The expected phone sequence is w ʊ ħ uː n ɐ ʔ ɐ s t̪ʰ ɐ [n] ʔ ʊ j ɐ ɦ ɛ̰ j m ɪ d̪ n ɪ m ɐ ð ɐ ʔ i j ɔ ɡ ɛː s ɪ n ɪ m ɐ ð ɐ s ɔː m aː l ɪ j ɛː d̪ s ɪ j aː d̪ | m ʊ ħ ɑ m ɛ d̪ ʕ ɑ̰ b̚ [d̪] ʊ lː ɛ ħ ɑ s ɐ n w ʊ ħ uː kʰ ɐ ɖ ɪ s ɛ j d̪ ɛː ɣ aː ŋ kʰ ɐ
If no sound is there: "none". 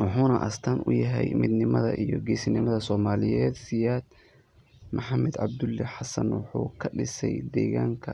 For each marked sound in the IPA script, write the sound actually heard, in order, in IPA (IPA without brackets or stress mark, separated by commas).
n, d̪